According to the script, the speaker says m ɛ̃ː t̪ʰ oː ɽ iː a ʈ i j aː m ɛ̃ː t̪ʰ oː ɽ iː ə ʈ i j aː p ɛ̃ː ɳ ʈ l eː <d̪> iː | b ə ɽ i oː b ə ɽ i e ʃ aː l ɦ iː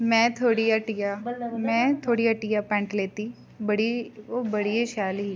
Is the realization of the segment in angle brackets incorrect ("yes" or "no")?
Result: yes